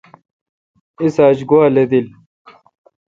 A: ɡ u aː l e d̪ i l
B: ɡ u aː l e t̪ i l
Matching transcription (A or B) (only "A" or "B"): A